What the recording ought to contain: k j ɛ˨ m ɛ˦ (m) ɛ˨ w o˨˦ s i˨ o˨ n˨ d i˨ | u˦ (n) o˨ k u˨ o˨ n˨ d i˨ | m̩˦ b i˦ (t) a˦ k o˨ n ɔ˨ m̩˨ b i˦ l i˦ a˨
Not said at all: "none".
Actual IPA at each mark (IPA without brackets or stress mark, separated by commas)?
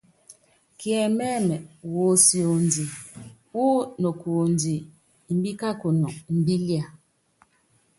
m, n, k